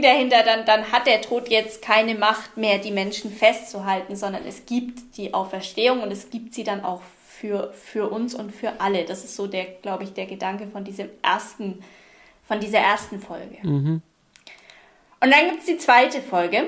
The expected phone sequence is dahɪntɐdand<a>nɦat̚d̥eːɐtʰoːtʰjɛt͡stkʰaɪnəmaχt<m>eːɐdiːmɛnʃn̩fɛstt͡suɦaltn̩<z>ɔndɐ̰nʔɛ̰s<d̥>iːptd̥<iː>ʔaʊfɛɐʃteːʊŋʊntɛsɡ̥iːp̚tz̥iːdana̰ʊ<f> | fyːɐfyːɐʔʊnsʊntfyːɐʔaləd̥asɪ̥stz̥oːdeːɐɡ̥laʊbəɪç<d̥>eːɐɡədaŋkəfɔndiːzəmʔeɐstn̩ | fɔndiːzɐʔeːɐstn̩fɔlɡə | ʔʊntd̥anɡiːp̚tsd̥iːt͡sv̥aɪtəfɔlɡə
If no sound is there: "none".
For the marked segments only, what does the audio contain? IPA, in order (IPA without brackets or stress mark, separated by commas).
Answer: a, m, z, ɡ̥, iː, x, d̥